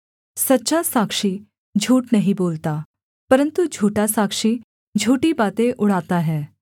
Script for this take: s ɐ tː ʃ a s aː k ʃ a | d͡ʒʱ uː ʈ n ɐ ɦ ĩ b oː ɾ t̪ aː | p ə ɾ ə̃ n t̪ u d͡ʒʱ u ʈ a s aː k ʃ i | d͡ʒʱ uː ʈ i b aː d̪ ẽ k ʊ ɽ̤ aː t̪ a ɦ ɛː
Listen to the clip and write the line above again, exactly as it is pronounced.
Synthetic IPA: s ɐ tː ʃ a s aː k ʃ i | d͡ʒʱ uː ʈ n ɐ ɦ ĩ b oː l t̪ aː | p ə ɾ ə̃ n t̪ u d͡ʒʱ uː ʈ a s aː k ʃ i | d͡ʒʱ uː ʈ i b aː t̪ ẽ ʔ ʊ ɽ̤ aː t̪ a ɦ ɛː